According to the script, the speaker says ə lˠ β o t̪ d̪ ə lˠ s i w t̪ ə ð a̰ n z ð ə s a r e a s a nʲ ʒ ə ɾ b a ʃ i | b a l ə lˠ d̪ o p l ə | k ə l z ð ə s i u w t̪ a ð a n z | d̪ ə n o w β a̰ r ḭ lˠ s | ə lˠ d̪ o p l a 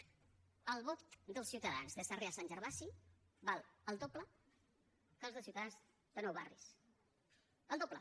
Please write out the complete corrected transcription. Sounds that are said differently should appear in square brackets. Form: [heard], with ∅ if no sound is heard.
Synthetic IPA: ə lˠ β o t̪ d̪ ə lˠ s i w t̪ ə ð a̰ n z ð ə s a r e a s a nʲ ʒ ə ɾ [β] a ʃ i | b a l ə lˠ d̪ o p l ə | k ə l z ð ə s i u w t̪ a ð a n z | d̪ ə n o w β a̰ r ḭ [∅] s | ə lˠ d̪ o p l [ə]